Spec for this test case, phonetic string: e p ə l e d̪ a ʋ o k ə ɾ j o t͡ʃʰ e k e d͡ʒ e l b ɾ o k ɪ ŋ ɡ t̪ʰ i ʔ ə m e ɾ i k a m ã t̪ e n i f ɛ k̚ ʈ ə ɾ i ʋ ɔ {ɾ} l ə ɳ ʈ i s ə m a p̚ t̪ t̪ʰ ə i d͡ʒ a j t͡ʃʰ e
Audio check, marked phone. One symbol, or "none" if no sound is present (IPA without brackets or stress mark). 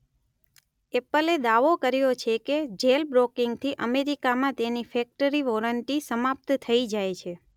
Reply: none